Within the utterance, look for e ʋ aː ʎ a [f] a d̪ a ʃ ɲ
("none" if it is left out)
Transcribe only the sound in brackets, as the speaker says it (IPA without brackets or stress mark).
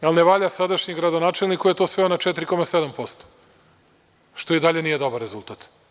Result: s